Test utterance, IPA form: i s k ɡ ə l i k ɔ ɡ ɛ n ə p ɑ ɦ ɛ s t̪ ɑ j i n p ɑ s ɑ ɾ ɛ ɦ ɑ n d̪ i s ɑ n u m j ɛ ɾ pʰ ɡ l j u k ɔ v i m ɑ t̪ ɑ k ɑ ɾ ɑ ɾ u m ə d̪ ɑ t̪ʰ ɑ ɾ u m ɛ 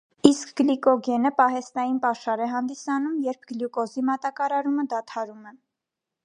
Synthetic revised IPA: i s k ɡ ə l i k ɔ ɡ ɛ n ə p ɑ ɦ ɛ s t̪ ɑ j i n p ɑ ʃ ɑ ɾ ɛ ɦ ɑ n d̪ i s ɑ n u m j ɛ ɾ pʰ ɡ l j u k ɔ z i m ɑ t̪ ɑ k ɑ ɾ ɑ ɾ u m ə d̪ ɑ t̪ʰ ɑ ɾ u m ɛ